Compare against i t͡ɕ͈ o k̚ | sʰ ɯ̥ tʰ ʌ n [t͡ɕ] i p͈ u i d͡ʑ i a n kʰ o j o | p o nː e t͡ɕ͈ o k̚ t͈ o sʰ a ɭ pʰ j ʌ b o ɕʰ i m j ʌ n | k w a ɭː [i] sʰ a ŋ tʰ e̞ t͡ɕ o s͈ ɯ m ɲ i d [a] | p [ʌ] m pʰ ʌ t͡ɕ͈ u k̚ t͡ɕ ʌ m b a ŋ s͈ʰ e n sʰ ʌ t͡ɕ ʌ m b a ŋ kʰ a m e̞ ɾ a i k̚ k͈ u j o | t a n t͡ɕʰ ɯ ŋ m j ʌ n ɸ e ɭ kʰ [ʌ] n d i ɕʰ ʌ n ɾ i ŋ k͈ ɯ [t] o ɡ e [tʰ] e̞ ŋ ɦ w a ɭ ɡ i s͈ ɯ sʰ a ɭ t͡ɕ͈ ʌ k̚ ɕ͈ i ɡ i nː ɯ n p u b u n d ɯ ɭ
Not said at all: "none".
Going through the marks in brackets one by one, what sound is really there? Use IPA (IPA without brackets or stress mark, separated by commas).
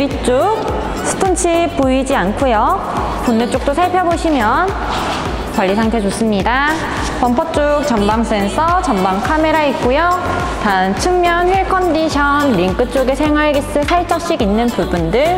t͡ɕʰ, i, a, ʌ, ʌ, t͡ɕ͈, sʰ